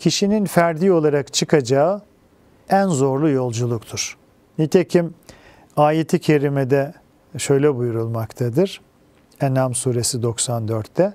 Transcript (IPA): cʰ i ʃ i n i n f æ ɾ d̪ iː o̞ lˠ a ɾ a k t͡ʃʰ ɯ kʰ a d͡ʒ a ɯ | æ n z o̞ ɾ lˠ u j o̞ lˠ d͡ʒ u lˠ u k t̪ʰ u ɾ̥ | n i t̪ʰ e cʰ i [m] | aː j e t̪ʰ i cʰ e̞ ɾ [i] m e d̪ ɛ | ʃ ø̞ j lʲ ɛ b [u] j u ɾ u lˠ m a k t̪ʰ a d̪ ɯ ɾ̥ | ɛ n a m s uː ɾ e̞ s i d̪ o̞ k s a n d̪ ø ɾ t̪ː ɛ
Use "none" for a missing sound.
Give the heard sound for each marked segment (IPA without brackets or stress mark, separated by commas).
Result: m, i, u